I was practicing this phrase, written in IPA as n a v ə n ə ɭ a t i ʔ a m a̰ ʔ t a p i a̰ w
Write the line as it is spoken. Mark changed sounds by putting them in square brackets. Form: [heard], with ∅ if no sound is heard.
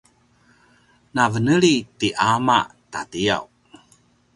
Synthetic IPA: n a v ə n ə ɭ [i] t i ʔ a m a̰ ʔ t a [t] i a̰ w